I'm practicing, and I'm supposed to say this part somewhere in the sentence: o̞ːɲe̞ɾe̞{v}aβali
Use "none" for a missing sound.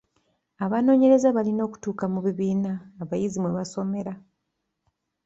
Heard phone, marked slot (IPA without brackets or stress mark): z